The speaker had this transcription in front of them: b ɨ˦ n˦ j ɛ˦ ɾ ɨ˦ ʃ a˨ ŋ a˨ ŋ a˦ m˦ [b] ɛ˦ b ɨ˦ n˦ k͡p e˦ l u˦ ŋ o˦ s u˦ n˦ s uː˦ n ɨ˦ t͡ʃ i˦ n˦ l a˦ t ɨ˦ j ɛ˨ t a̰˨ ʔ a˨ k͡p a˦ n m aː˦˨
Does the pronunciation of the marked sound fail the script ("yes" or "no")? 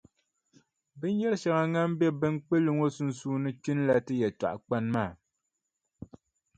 no